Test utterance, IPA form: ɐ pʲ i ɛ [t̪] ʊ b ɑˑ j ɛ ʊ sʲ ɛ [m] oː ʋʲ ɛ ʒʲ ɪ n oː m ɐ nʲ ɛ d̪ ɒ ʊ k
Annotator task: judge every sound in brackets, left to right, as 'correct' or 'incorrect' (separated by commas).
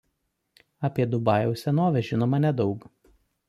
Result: incorrect, incorrect